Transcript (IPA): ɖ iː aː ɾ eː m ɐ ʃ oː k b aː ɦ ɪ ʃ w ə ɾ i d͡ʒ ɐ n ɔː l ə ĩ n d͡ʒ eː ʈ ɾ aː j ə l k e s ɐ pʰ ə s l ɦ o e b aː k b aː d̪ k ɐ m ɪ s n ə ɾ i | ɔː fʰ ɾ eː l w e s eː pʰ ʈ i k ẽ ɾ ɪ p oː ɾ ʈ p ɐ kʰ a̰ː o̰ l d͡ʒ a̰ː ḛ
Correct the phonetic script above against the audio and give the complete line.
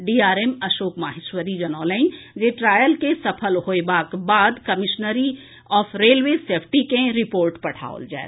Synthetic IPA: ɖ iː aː ɾ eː m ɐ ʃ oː k m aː ɦ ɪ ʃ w ə ɾ i d͡ʒ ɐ n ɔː l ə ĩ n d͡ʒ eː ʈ ɾ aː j ə l k e s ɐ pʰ ə l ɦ o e b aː k b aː d̪ k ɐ m ɪ ʃ n ə ɾ i | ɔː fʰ ɾ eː l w e s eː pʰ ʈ i k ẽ ɾ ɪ p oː ɾ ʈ p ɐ ʈʰ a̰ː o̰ l d͡ʒ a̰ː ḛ